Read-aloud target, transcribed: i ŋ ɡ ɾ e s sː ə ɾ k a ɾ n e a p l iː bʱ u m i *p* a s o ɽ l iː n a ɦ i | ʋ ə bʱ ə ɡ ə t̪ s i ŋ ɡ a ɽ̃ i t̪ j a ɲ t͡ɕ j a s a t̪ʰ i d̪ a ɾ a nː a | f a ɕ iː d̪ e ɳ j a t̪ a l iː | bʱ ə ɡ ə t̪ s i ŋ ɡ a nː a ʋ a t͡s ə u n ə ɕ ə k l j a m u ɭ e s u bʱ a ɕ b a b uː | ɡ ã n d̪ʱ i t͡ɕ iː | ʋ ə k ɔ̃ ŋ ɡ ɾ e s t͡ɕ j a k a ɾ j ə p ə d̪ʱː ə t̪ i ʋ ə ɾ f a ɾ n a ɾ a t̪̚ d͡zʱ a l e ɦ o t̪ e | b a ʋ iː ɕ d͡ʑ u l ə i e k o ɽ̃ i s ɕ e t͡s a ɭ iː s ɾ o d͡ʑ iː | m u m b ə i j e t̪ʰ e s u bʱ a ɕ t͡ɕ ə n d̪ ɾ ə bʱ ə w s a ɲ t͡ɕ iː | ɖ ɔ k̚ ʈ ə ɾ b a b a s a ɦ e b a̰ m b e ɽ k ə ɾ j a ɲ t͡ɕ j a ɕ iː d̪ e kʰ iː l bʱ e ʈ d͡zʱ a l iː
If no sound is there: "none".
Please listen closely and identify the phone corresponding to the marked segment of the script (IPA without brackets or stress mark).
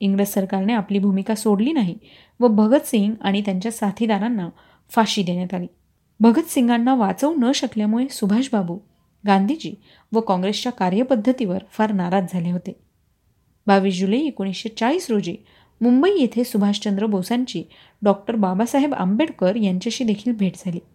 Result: k